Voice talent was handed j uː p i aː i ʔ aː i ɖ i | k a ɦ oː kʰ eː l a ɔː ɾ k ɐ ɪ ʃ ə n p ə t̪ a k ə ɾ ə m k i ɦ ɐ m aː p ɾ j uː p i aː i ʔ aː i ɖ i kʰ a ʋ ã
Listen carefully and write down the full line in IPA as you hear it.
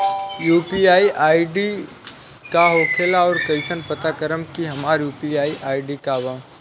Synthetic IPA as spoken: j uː p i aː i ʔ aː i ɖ i | k a ɦ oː kʰ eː l a ɔː ɾ k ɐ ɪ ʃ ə n p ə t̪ a k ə ɾ ə m k i ɦ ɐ m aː ɾ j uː p i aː i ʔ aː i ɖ i k a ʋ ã